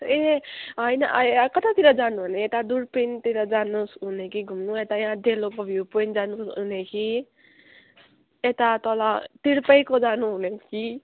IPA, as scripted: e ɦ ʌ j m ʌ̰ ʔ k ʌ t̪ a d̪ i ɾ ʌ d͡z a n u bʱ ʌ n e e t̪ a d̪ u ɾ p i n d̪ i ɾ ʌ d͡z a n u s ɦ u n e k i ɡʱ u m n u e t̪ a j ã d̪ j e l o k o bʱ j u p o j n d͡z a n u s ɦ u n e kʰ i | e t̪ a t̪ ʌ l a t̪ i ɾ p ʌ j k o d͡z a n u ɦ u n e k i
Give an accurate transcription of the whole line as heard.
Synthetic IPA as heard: e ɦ ʌ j n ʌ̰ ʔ k ʌ t̪ a t̪ i ɾ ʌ d͡z a n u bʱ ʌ n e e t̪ a d̪ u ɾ p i n t̪ i ɾ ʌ d͡z a n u s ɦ u n e k i ɡʱ u m n u e t̪ a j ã d̪ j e l o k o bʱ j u p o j n d͡z a n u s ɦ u n e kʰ i | e t̪ a t̪ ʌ l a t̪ i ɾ p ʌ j k o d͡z a n u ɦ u n e k i

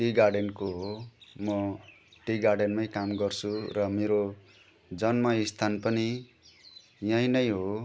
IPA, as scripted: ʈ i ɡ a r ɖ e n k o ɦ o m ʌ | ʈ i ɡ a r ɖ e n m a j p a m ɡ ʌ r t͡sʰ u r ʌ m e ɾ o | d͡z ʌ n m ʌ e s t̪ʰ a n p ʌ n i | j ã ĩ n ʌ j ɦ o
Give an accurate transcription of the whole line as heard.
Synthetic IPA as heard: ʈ i ɡ a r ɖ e n k o ɦ o m ʌ | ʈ i ɡ a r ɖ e n m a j k a m ɡ ʌ r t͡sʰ u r ʌ m e ɾ o | d͡z ʌ n m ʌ i s t̪ʰ a n p ʌ n i | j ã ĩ n ʌ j ɦ o

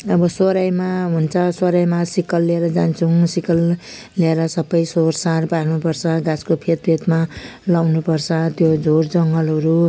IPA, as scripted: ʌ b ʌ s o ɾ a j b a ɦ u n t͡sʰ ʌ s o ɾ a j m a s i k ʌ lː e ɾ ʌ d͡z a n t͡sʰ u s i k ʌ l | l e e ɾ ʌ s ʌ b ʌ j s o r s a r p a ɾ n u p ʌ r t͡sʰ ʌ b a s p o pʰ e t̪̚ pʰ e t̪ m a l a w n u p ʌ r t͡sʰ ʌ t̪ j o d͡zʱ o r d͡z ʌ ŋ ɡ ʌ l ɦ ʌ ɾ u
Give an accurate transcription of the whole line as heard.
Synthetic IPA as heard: ʌ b ʌ s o ɾ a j m a ɦ u n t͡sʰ ʌ s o ɾ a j m a s i k ʌ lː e ɾ ʌ d͡z a n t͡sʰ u s i k ʌ l | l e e ɾ ʌ s ʌ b ʌ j s o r s a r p a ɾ n u p ʌ r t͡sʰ ʌ ɡ a s k o pʰ e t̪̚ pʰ e t̪ m a l a w n u p ʌ r t͡sʰ ʌ t̪ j o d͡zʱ o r d͡z ʌ ŋ ɡ ʌ l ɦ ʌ ɾ u

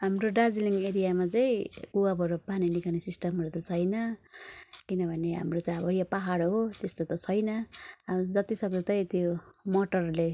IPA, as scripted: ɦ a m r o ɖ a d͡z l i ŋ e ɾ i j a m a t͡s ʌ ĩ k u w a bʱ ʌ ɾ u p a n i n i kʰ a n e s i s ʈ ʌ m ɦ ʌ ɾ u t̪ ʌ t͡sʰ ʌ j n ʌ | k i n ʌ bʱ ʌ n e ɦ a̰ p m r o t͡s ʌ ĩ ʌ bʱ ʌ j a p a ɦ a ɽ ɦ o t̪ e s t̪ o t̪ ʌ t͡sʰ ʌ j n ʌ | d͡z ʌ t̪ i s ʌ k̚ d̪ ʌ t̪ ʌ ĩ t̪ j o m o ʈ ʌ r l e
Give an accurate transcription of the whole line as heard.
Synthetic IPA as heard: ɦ a m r o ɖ a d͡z l i ŋ e ɾ i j a m a t͡s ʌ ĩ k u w a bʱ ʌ ɾ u p a n i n i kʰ a n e s i s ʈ ʌ m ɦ ʌ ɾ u t̪ ʌ t͡sʰ ʌ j n ʌ | k i n ʌ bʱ ʌ n e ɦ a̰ m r o t͡s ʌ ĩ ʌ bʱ ʌ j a p a ɦ a ɽ ɦ o t̪ e s t̪ o t̪ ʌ t͡sʰ ʌ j n ʌ | d͡z ʌ t̪ i s ʌ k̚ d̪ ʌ t̪ ʌ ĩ t̪ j o m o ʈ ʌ r l e

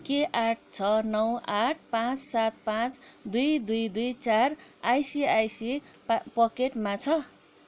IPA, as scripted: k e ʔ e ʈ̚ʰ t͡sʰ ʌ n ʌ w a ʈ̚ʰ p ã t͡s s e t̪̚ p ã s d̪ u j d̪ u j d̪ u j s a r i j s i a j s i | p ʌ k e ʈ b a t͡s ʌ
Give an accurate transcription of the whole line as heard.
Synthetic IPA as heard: k e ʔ a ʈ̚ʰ t͡sʰ ʌ n ʌ w a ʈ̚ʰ p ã t͡s s a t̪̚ p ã t͡s d̪ u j d̪ u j d̪ u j t͡s a r a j s i a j s i | p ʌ k e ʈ m a t͡sʰ ʌ

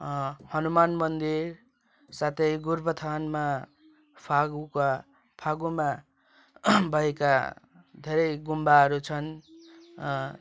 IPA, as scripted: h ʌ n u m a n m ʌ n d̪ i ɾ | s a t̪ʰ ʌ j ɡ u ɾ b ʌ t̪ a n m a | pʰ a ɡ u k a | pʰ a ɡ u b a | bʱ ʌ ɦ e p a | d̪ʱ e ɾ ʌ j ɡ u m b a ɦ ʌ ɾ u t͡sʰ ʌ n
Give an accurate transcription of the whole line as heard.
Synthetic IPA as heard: h ʌ n u m a n m ʌ n d̪ i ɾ | s a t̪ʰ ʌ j ɡ u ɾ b ʌ t̪ʰ a n m a | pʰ a ɡ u k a | pʰ a ɡ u m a | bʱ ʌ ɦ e k a | d̪ʱ e ɾ ʌ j ɡ u m b a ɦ ʌ ɾ u t͡sʰ ʌ n

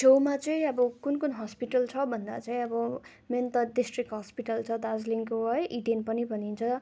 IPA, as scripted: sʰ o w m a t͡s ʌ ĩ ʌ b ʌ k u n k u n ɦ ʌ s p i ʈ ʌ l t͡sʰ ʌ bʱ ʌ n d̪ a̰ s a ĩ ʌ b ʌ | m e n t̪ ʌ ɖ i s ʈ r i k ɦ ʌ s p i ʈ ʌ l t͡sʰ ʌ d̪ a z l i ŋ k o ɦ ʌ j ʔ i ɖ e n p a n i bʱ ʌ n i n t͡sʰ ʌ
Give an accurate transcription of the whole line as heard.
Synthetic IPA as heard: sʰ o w m a t͡s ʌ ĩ ʌ b ʌ k u n k u n ɦ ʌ s p i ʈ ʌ l t͡sʰ ʌ bʱ ʌ n d̪ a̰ t͡s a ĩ ʌ b ʌ | m e n t̪ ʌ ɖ i s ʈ r i k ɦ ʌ s p i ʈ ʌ l t͡sʰ ʌ d̪ a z l i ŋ k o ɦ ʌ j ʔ i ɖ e n p ʌ n i bʱ ʌ n i n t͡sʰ ʌ

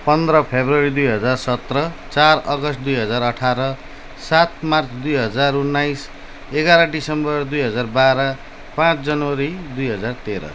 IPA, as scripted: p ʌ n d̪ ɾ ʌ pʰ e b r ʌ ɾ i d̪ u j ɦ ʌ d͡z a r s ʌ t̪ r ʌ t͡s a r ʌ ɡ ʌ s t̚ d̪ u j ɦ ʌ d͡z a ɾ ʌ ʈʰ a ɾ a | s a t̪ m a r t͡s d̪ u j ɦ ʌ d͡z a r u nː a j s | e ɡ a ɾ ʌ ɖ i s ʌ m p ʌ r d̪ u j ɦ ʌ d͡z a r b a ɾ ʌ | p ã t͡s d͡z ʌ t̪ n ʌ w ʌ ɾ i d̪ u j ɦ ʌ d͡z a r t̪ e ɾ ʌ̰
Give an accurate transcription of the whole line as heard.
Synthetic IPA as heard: p ʌ n d̪ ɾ ʌ pʰ e b r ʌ ɾ i d̪ u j ɦ ʌ d͡z a r s ʌ t̪ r ʌ t͡s a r ʌ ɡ ʌ s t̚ d̪ u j ɦ ʌ d͡z a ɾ ʌ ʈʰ a ɾ ʌ | s a t̪ m a r t͡s d̪ u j ɦ ʌ d͡z a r u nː a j s | e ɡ a ɾ ʌ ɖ i s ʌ m b ʌ r d̪ u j ɦ ʌ d͡z a r b a ɾ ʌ | p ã t͡s d͡z ʌ n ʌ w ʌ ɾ i d̪ u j ɦ ʌ d͡z a r t̪ e ɾ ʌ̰

